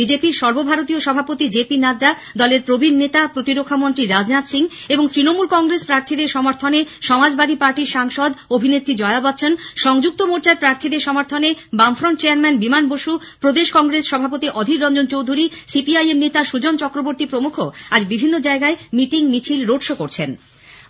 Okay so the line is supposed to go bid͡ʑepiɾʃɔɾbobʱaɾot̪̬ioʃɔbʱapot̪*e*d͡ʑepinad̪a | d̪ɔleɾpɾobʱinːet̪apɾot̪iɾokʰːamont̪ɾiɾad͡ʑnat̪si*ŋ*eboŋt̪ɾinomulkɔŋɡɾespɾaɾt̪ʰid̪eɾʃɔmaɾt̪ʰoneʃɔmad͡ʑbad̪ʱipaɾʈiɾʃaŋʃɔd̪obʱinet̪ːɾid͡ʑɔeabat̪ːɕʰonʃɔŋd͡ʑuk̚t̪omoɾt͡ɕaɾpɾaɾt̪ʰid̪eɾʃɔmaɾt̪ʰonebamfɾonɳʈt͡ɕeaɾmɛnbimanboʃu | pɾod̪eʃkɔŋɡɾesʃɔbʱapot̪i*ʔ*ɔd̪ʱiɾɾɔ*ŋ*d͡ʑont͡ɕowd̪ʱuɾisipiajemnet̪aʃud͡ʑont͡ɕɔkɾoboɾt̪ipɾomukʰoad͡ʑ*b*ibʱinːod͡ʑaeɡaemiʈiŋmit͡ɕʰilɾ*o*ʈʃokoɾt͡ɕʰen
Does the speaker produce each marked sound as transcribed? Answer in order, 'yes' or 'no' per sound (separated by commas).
no, yes, yes, no, yes, yes